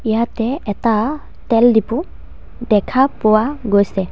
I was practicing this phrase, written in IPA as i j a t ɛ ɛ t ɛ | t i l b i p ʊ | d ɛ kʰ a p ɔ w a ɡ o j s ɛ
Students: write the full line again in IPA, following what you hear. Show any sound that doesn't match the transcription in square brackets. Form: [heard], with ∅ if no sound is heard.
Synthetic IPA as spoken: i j a t ɛ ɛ t [a] | t [ɛ] l [d] i p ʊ | d ɛ kʰ a p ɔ w a ɡ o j s ɛ